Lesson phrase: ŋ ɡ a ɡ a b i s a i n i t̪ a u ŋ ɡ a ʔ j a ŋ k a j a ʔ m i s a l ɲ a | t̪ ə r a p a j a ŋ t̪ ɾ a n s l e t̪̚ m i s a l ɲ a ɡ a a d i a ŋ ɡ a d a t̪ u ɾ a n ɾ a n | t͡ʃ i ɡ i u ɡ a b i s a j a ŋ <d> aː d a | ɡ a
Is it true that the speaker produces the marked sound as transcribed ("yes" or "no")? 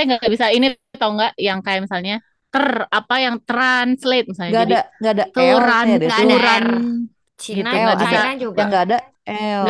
no